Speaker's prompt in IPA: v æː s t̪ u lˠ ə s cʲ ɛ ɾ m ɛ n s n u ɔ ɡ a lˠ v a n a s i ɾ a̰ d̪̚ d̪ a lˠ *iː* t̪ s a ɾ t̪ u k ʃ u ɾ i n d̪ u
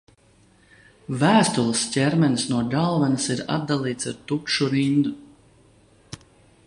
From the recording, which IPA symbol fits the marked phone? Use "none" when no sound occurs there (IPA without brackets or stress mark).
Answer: iː